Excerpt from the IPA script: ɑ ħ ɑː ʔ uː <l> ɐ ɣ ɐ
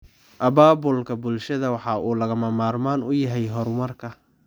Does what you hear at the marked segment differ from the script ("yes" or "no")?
no